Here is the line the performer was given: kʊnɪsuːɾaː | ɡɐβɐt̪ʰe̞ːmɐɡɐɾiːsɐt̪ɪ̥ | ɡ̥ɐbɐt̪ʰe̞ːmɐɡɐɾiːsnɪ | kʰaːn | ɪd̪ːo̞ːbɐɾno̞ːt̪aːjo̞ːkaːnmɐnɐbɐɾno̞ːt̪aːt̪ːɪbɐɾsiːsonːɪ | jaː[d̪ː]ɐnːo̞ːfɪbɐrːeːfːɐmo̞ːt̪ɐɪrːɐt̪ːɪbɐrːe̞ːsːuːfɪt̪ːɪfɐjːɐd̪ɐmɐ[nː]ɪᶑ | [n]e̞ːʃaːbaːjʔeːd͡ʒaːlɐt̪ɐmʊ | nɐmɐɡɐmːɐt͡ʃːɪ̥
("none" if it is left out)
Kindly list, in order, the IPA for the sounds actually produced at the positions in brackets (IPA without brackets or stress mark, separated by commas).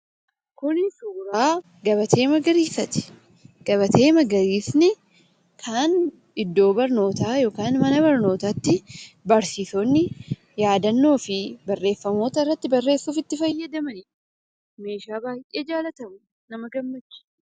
d̪, n, m